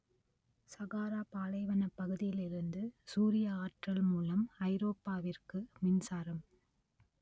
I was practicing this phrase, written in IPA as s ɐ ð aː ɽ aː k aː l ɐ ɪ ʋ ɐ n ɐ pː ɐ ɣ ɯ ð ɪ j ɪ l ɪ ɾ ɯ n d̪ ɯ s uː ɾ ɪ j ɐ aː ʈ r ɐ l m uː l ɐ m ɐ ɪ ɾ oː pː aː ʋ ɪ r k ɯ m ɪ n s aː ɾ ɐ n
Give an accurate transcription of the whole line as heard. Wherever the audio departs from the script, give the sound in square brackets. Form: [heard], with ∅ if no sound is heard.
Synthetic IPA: s ɐ [ɣ] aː [ɾ] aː [p] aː l ɐ ɪ ʋ ɐ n ɐ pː ɐ ɣ ɯ ð ɪ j ɪ l ɪ ɾ ɯ n d̪ ɯ s uː ɾ ɪ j ɐ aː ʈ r ɐ l m uː l ɐ m ɐ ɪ ɾ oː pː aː ʋ ɪ r k ɯ m ɪ n s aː ɾ ɐ [m]